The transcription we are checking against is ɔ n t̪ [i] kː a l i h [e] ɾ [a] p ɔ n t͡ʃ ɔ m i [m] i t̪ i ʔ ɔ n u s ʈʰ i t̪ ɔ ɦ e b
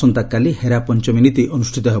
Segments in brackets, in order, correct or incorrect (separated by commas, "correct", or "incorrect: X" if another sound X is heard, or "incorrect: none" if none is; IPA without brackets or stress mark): incorrect: a, correct, correct, incorrect: n